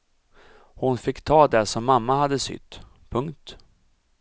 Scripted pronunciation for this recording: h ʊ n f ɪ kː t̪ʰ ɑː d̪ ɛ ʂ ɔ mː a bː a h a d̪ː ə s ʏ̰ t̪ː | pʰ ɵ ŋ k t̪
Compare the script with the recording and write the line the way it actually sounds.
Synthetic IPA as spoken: h ʊ n f ɪ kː t̪ʰ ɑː d̪ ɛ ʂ ɔ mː a mː a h a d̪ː ə s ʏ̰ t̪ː | pʰ ɵ ŋ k t̪